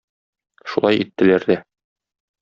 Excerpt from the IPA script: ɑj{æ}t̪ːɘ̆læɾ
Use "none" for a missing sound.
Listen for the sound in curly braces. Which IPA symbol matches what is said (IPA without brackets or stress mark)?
i